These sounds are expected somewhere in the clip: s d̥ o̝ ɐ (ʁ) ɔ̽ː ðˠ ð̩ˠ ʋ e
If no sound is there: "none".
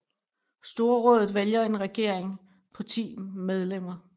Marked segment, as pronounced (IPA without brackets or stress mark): ʁ